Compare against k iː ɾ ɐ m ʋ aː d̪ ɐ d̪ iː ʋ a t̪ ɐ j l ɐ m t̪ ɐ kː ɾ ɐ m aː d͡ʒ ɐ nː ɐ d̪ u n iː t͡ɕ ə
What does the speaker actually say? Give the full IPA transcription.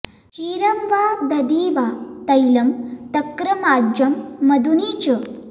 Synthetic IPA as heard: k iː ɾ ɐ m ʋ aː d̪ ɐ d̪ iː ʋ a t̪ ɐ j l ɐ m t̪ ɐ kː ɾ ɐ m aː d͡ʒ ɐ mː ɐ d̪ u n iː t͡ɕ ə